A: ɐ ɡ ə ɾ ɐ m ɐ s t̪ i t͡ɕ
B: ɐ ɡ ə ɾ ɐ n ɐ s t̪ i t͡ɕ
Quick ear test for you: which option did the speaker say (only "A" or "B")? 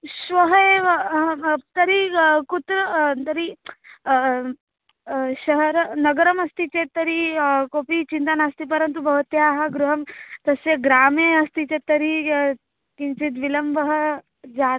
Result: A